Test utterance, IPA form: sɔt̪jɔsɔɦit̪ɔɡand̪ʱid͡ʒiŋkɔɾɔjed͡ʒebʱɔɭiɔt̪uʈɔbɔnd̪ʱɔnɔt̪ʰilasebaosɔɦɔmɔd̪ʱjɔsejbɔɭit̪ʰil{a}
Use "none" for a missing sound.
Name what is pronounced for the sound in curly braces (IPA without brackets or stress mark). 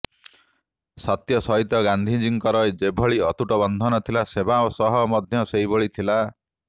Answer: a